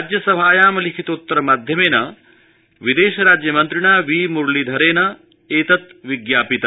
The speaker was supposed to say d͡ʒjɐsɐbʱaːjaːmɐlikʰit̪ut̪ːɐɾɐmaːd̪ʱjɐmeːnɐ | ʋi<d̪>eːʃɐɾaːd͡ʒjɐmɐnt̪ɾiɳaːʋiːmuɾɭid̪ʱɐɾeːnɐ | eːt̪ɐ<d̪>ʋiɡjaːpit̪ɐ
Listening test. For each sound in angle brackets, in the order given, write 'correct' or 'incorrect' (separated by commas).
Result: correct, incorrect